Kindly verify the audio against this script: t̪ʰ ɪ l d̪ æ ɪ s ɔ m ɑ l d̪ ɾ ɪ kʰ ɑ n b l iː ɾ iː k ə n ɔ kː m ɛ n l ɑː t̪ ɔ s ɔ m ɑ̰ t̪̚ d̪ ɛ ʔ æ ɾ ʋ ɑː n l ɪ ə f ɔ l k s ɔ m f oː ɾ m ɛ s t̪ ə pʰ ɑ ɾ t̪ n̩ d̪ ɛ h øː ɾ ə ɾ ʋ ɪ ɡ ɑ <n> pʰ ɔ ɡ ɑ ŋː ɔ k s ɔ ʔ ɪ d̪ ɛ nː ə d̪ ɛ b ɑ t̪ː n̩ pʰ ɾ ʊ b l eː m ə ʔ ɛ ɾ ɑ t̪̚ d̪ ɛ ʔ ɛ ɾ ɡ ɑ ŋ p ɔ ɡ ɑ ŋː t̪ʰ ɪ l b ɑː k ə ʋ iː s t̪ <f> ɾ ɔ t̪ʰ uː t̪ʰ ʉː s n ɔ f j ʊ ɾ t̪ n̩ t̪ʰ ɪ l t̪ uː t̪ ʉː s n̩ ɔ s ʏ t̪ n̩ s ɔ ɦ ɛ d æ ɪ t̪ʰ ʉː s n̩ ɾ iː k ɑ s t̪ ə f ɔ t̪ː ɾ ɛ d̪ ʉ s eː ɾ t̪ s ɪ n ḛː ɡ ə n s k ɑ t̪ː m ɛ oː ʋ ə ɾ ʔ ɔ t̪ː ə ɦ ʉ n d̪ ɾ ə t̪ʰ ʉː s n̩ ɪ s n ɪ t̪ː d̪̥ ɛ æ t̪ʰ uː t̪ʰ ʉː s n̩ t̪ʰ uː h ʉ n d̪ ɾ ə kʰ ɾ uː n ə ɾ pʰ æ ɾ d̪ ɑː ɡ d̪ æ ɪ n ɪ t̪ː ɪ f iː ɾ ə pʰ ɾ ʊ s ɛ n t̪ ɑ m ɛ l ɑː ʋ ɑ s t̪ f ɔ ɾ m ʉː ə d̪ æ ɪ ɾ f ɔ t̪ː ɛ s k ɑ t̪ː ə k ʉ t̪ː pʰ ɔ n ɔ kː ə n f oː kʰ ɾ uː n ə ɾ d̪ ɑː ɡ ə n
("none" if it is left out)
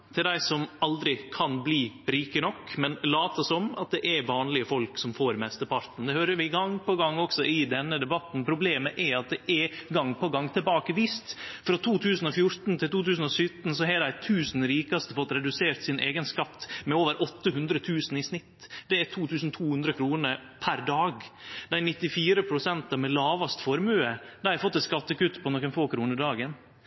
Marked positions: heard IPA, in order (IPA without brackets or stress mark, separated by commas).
ŋ, f